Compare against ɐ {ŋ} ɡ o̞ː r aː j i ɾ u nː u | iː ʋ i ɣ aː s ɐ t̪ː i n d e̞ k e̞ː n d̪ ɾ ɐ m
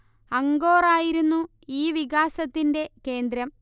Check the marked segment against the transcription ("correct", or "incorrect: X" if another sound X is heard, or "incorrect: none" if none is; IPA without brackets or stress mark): correct